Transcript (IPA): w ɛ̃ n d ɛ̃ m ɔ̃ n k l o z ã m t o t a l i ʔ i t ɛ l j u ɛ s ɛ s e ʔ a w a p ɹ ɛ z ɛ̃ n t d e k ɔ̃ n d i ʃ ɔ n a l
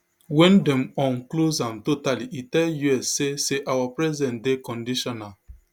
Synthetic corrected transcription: w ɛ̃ n d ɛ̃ m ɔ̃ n k l o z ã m t o t a l i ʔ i t ɛ l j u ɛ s e s e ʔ a w a p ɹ ɛ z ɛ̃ n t d e k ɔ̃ n d i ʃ ɔ n a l